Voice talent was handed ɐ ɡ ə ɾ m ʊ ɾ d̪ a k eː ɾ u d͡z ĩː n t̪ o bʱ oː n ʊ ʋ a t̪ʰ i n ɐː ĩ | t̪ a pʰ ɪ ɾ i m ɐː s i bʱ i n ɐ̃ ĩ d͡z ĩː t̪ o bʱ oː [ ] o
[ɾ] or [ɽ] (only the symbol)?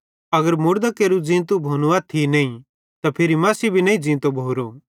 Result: ɾ